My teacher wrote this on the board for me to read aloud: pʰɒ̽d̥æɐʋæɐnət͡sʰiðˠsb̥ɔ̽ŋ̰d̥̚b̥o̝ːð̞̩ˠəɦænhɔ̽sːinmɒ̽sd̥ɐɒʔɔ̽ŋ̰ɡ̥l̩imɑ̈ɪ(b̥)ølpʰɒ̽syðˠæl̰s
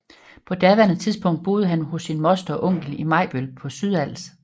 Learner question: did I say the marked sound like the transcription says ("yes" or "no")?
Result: yes